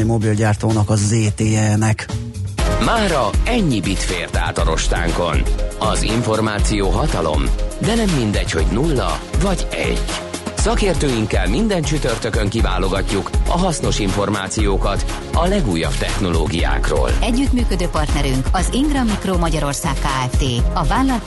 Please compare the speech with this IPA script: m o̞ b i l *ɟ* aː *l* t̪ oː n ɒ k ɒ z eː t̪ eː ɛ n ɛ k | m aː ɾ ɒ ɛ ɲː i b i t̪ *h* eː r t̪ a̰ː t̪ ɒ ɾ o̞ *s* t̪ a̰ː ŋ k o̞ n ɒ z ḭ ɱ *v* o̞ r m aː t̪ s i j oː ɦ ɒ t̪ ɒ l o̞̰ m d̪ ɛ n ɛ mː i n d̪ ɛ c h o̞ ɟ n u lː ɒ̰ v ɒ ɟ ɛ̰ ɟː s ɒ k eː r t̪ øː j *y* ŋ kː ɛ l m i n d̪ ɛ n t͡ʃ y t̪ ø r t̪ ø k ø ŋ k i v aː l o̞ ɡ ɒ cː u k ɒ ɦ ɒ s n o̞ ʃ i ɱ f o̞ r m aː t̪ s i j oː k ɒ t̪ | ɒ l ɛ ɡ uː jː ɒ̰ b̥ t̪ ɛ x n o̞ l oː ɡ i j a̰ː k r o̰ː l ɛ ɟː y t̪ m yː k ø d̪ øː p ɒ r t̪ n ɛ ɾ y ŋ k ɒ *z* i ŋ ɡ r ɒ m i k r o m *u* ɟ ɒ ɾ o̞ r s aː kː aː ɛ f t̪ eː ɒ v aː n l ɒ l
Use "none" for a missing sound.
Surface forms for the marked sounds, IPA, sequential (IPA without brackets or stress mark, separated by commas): ɟ, r, f, ʃ, f, i, z, ɒ